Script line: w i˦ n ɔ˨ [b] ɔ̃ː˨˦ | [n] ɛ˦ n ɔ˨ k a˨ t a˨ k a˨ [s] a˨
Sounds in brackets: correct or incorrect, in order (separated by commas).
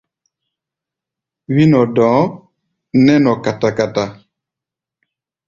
incorrect, correct, incorrect